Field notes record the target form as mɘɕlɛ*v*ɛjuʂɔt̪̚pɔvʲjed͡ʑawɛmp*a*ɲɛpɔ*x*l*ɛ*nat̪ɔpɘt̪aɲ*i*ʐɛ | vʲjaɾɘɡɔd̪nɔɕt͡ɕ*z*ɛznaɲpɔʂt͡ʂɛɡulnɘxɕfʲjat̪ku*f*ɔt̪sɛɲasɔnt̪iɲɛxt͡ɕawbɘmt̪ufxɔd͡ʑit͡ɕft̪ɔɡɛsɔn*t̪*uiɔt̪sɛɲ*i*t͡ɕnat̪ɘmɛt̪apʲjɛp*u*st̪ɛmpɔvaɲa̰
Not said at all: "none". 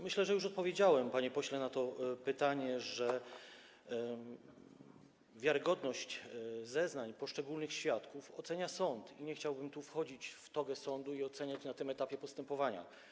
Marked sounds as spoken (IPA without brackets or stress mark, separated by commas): ʐ, a, ɕ, ɛ, ɛ, z, f, d̪, a, ɔ